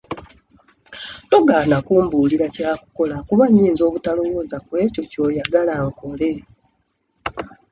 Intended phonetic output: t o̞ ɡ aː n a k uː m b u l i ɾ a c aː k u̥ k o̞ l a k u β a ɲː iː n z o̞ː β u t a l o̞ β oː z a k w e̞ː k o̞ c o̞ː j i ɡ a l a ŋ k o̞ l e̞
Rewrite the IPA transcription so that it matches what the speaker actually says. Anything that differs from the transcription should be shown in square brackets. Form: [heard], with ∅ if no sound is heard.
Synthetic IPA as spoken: t o̞ ɡ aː n a k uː m b u l i ɾ a c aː k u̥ k o̞ l a k u β a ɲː iː n z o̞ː β u t a l o̞ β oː z a k w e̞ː [c] o̞ c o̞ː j [a] ɡ a l a ŋ k o̞ l e̞